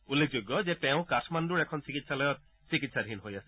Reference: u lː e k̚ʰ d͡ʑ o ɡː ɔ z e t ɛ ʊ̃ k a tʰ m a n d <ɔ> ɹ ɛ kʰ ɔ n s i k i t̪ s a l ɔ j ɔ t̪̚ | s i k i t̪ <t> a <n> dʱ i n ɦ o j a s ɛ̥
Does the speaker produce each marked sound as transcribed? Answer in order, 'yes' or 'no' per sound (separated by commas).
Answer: no, no, no